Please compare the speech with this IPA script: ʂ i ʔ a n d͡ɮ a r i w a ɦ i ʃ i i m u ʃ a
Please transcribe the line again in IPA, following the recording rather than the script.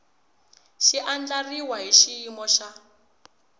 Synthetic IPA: ʃ i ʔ a n d͡ɮ a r i w a ɦ i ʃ i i m ɔ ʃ a